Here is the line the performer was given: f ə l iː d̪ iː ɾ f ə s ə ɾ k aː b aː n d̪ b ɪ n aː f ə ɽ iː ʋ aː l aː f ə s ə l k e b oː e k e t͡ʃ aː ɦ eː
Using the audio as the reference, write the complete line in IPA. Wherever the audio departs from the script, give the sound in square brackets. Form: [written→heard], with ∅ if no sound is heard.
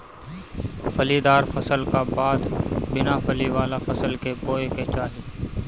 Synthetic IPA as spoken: f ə l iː d̪ [iː→aː] ɾ f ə s ə [ɾ→l] k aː b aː [n→∅] d̪ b ɪ n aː f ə [ɽ→l] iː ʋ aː l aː f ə s ə l k e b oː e k e t͡ʃ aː ɦ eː